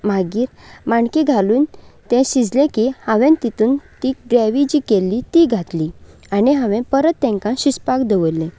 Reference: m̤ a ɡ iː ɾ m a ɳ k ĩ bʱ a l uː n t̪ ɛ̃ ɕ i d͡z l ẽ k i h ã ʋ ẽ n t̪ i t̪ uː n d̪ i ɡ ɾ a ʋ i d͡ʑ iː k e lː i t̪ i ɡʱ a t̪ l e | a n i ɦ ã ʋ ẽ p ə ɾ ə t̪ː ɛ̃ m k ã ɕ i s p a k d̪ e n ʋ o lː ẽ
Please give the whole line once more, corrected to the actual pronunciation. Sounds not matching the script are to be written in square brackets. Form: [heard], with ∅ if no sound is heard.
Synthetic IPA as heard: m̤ a ɡ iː ɾ m a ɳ k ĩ [ɡʱ] a l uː n t̪ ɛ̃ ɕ i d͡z l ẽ k i h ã ʋ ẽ n t̪ i t̪ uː n [t̪] i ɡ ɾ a ʋ i d͡ʑ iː k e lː i t̪ i ɡʱ a t̪ l [i] | a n i ɦ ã ʋ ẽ p ə ɾ ə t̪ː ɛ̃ [ŋ] k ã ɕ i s p a k d̪ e [∅] ʋ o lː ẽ